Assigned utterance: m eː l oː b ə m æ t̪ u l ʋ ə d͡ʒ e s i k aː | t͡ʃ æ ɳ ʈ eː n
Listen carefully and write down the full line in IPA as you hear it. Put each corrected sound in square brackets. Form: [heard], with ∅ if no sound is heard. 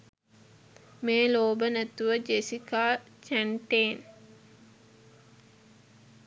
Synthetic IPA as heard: m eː l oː b ə [n] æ t̪ u [∅] ʋ ə d͡ʒ e s i k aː | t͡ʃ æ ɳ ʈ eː n